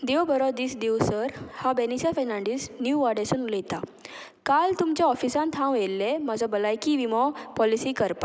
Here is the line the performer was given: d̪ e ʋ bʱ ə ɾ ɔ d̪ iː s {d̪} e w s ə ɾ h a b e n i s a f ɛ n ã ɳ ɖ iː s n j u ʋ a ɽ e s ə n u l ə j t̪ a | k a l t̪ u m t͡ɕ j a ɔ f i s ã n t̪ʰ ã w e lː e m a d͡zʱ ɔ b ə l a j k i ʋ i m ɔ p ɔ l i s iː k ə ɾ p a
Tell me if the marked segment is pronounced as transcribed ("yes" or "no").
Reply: yes